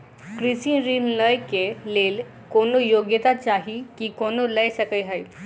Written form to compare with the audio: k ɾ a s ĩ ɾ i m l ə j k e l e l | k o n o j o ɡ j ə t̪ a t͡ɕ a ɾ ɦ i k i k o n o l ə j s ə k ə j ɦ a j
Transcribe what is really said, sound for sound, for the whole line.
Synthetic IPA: k ɾ i s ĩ ɾ i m l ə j k e l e l | k o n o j o ɡ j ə t̪ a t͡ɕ a ɦ i k i k o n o l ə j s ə k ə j ɦ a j